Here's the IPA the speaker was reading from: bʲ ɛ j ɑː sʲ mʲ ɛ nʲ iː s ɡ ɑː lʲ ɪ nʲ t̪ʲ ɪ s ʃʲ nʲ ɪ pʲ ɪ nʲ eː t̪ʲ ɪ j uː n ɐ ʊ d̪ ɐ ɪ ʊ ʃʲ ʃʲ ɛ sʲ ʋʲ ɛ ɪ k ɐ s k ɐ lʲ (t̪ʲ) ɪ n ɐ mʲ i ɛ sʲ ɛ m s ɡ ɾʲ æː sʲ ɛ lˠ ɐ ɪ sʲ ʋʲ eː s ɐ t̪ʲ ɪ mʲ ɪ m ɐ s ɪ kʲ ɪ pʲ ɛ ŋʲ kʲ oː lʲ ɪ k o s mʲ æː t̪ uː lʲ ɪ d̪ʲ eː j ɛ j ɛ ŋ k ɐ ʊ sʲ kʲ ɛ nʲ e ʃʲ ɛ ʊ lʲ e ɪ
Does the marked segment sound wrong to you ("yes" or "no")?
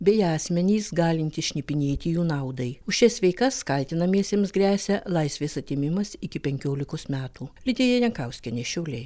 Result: no